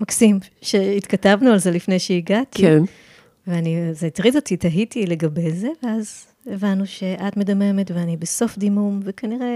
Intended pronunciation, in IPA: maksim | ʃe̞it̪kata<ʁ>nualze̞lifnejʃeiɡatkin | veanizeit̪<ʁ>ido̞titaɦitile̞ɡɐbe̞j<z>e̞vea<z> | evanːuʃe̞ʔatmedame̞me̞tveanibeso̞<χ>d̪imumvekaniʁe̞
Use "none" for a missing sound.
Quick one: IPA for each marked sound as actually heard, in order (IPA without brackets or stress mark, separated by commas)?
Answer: v, ʁ, z, z, f